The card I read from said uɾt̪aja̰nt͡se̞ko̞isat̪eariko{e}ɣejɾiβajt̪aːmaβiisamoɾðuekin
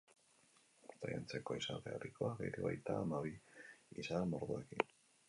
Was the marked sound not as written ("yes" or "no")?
yes